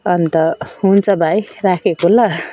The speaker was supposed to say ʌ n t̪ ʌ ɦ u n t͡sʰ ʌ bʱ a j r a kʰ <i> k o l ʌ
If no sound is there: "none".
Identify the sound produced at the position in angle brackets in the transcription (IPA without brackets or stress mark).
e